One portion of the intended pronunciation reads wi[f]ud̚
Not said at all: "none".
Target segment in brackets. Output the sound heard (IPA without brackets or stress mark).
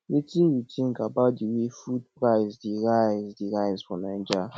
f